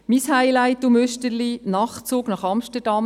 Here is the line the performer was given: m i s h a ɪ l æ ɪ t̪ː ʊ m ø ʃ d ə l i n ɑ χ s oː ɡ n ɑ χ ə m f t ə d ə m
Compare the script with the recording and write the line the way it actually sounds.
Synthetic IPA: m i s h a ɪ l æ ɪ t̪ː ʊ m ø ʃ t ə l i n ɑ χ t͡s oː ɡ n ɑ χ ɑ m ʃ t ə d ɑ m